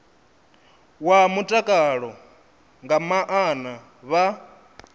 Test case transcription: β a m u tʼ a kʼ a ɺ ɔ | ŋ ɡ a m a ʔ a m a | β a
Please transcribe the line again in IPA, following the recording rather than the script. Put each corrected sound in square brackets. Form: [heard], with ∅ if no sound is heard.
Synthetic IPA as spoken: [w] a m u tʼ a kʼ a ɺ ɔ | ŋ ɡ a m a ʔ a [n] a | β a